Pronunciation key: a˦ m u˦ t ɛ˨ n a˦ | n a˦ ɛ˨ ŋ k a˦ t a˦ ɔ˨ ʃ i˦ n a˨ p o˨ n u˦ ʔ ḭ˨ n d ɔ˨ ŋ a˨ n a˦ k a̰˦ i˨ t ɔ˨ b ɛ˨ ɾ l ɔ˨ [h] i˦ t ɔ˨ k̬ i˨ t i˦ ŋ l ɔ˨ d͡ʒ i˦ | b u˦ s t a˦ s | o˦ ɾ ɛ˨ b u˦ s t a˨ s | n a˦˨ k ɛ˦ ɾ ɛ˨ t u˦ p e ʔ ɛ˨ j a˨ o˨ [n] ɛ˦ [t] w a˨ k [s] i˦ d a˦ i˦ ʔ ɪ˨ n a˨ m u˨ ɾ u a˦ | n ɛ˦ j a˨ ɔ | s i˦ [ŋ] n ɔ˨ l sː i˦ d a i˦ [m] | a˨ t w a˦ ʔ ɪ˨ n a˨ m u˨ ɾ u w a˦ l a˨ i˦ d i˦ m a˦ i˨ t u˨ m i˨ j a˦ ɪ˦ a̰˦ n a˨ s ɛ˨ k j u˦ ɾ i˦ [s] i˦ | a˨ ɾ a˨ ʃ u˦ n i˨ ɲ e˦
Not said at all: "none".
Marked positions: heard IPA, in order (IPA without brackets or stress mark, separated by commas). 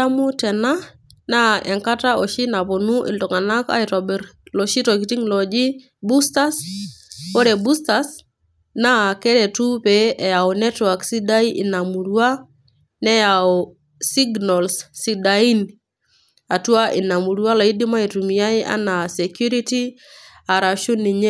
ʃ, n, t, s, ɡ, n, t